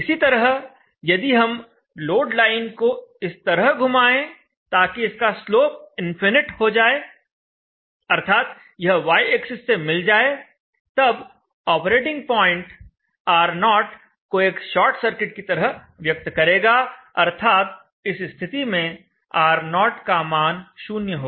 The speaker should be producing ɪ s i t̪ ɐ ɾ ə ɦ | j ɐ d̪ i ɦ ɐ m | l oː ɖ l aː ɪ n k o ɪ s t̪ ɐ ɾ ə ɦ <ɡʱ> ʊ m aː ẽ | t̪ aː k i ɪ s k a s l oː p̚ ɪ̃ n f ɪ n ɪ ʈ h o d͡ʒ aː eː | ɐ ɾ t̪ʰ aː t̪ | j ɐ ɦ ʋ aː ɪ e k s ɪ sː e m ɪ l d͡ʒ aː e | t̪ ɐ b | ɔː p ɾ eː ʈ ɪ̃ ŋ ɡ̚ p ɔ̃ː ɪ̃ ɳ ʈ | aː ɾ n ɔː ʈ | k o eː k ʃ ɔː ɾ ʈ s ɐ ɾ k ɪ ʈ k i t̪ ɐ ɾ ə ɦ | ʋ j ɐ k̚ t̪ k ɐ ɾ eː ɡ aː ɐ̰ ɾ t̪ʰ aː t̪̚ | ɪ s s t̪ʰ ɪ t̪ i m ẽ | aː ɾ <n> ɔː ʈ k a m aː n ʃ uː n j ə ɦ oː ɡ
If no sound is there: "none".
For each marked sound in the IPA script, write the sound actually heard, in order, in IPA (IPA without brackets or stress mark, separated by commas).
ɡʱ, n